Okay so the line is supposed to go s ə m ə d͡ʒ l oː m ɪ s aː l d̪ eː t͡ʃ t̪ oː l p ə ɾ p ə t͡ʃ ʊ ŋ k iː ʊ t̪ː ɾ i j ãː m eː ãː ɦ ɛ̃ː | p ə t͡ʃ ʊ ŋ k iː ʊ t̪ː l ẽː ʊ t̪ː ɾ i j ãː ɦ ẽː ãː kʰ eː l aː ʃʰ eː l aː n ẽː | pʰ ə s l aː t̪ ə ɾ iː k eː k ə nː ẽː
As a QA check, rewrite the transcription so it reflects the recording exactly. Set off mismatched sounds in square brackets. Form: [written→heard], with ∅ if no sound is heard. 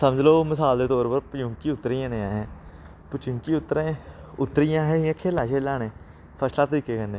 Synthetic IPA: s ə m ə d͡ʒ l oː m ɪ s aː l d̪ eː [t͡ʃ→∅] t̪ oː [l→ɾ] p ə ɾ p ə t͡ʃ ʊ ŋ k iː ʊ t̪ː ɾ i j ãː [m→n] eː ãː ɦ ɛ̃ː | p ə t͡ʃ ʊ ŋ k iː ʊ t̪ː [l→ɾ] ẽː ʊ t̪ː ɾ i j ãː ɦ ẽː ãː kʰ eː l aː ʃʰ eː l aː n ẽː | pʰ ə s l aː t̪ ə ɾ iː k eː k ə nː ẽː